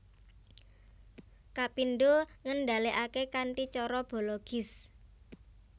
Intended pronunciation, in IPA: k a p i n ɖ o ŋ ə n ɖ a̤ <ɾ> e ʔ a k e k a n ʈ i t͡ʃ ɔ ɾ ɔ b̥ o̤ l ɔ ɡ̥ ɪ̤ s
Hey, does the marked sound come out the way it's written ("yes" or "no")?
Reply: no